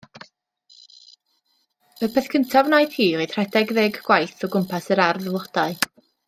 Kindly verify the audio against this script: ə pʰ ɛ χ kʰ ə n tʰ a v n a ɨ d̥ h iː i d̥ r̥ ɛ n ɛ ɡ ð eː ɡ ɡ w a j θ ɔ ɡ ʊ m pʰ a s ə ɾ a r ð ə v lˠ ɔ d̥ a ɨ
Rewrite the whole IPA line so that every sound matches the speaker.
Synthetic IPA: ə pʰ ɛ θ kʰ ə n tʰ a v n a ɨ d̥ h iː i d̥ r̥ ɛ d ɛ ɡ ð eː ɡ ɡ w a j θ ɔ ɡ ʊ m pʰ a s ə ɾ a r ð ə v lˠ ɔ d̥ a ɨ

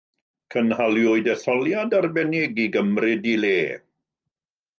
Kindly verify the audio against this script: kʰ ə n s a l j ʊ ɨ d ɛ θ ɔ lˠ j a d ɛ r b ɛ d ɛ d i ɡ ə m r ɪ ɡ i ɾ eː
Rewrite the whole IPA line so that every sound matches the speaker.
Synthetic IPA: kʰ ə n h a l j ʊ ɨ d ɛ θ ɔ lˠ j a d a r b ɛ n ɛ ɡ i ɡ ə m r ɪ d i l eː

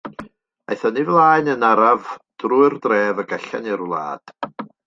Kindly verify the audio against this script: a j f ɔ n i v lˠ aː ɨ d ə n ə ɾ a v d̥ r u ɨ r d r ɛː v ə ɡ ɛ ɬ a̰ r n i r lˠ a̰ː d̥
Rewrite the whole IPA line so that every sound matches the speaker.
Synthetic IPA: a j θ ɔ n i v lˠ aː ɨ n ə n a ɾ a v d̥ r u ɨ r d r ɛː v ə ɡ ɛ ɬ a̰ n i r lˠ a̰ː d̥

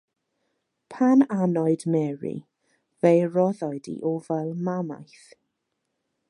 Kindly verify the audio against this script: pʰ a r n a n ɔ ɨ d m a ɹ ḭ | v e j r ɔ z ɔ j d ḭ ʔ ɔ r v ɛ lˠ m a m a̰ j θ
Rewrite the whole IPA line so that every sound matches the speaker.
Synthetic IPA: pʰ a n a n ɔ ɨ d m ɛ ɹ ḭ | v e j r ɔ ð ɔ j d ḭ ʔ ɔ v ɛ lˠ m a m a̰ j θ

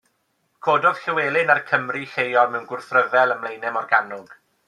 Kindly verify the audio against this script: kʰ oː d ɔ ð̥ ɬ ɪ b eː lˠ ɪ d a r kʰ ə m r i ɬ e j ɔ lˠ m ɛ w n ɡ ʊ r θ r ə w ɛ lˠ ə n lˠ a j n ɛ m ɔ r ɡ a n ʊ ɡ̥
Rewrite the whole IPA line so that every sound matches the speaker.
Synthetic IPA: kʰ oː d ɔ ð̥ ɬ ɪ w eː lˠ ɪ n a r kʰ ə m r i ɬ e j ɔ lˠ m ɛ w n ɡ ʊ r θ r ə v ɛ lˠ ə m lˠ e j n ɛ m ɔ r ɡ a n ʊ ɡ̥

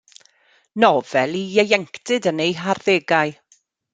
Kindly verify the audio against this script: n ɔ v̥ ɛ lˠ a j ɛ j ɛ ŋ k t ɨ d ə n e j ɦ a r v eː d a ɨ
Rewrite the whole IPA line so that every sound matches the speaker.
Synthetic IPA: n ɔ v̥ ɛ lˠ i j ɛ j ɛ ŋ k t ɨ d ə n e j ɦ a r ð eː ɡ a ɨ

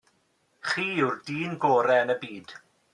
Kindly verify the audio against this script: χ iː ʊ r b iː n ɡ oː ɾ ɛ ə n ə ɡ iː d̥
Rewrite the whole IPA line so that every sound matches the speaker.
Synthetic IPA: χ iː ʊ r d iː n ɡ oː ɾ ɛ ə n ə b iː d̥

